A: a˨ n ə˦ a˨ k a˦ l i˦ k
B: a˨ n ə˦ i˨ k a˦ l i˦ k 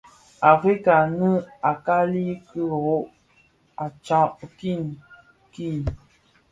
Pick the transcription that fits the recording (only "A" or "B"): A